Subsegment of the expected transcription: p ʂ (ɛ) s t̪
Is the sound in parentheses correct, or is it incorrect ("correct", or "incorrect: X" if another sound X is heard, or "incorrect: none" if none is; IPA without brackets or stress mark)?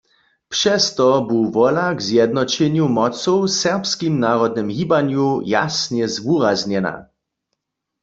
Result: correct